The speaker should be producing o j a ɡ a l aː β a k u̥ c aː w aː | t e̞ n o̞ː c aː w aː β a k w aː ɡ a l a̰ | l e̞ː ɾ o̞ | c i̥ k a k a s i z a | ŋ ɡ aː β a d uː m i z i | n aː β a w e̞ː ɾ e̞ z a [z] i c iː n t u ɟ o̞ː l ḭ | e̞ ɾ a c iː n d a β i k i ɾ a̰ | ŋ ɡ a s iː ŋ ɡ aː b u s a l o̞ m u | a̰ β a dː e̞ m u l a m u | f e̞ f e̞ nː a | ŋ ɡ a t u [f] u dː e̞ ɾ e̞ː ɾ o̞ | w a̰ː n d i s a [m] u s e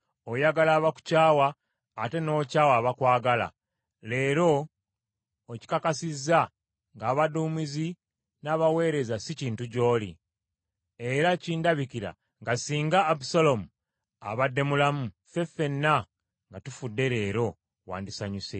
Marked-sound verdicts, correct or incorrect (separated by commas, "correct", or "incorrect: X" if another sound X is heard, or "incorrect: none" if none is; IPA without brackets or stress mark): incorrect: s, correct, incorrect: ɲ